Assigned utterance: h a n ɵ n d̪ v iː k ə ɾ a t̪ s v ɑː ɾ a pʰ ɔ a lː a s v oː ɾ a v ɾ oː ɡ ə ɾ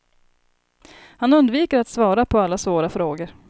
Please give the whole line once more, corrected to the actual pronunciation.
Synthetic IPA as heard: h a n ɵ n d̪ v iː k ə ɾ a t̪ s v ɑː ɾ a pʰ ɔ a lː a s v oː ɾ a f ɾ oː ɡ ə ɾ

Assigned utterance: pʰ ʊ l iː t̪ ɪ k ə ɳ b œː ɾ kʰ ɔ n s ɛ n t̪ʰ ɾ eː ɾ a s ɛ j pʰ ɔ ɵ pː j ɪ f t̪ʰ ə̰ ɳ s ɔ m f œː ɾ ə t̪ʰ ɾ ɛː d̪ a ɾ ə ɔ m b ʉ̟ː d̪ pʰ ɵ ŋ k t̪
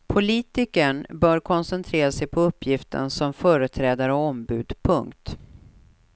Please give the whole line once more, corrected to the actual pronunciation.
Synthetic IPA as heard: pʰ ʊ l iː t̪ ɪ k ə ɳ b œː ɾ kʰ ɔ n s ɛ n t̪ʰ ɾ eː ɾ a s ɛ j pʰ ɔ ɵ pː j ɪ f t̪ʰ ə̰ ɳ s ɔ m f œː ɾ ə t̪ʰ ɾ ɛː d̪ a ɾ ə ɔ m b ʉ̟ː d̪ pʰ ɵ ŋ k t̪

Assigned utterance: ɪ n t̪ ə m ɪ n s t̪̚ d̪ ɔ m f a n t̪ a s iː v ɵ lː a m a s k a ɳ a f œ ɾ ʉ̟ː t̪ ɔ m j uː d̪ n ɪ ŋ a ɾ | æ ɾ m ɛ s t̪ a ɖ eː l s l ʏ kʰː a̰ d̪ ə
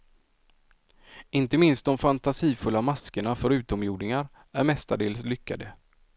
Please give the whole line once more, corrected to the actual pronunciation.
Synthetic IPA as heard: ɪ n t̪ ə m ɪ n s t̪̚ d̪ ɔ m f a n t̪ a s iː f ɵ lː a m a s k ə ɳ a f œ ɾ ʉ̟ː t̪ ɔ m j uː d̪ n ɪ ŋ a ɾ | æ ɾ m ɛ s t̪ a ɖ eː l s l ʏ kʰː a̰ d̪ ə

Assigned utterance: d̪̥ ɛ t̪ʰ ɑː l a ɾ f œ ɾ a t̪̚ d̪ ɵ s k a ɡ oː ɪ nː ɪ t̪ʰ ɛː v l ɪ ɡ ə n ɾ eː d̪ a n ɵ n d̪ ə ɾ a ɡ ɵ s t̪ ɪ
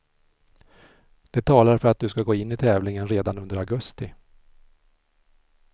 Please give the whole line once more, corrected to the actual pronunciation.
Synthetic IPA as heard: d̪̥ ɛ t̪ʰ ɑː l a ɾ f œ ɾ a t̪̚ d̪ ɵ s k a ɡ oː ɪ nː ɪ t̪ʰ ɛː v l ɪ ŋ ə n ɾ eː d̪ a n ɵ n d̪ ə ɾ a ɡ ɵ s t̪ ɪ

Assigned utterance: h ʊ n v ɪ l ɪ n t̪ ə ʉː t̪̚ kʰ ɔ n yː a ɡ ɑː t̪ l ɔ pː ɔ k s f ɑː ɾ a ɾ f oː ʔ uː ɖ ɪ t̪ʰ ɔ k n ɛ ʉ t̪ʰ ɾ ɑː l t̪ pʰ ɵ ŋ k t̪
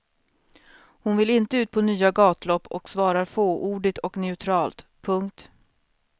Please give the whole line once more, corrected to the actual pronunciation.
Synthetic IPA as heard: h ʊ n v ɪ l ɪ n t̪ ə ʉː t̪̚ pʰ ɔ n yː a ɡ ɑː t̪ l ɔ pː ɔ k s v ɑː ɾ a ɾ f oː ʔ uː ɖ ɪ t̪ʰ ɔ k n ɛ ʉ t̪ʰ ɾ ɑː l t̪ pʰ ɵ ŋ k t̪

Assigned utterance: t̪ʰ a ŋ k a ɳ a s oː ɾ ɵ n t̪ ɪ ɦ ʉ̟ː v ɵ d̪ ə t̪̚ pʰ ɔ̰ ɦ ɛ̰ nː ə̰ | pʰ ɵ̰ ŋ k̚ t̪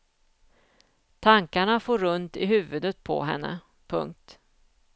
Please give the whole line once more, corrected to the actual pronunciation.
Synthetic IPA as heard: t̪ʰ a ŋ k a ɳ a f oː ɾ ɵ n t̪ ɪ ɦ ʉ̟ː v ɵ d̪ ə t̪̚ pʰ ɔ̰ ɦ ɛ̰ nː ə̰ | pʰ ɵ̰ ŋ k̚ t̪

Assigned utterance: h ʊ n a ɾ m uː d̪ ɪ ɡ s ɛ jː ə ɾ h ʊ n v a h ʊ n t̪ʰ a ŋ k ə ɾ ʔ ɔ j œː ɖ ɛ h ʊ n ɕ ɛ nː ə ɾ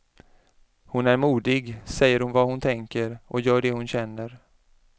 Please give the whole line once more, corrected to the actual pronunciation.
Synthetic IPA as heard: h ʊ n æ ɾ m uː d̪ ɪ ɡ s ɛ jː ə ɾ h ʊ n v a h ʊ n t̪ʰ ɛ ŋ k ə ɾ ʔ ɔ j œː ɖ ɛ h ʊ n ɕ ɛ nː ə ɾ

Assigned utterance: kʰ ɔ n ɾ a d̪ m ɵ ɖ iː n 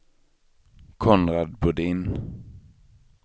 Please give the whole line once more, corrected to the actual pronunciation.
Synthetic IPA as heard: kʰ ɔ n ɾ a d̪ b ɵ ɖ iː n

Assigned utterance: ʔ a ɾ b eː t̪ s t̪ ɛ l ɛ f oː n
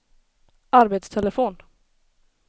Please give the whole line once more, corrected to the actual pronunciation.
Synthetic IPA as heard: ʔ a ɾ b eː t̪ s t̪ʰ ɛ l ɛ f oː n

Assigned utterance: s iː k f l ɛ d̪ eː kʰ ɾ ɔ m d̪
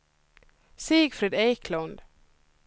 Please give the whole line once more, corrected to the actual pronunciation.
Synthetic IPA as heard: s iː ɡ f ɾ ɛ d̪ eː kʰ l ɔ n d̪

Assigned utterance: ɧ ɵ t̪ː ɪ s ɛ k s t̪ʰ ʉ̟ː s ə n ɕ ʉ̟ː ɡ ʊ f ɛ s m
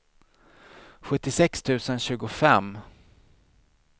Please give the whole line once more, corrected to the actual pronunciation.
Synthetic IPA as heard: ɧ ɵ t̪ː ɪ s ɛ k s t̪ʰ ʉ̟ː s ə n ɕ ʉ̟ː ɡ ʊ f ɛ m

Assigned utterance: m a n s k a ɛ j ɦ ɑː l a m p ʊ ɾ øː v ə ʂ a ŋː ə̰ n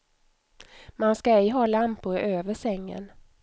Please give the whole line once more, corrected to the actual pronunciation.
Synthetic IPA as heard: m a n s k a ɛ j ɦ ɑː l a m p ʊ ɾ øː v ə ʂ ɛ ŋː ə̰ n

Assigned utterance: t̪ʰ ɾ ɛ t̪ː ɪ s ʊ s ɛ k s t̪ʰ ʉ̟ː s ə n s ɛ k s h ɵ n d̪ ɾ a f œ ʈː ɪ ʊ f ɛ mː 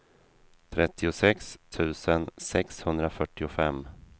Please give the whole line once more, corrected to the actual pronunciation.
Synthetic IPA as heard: t̪ʰ ɾ ɛ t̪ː ɪ ʊ s ɛ k s t̪ʰ ʉ̟ː s ə n s ɛ k s h ɵ n d̪ ɾ a f œ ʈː ɪ ʊ f ɛ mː

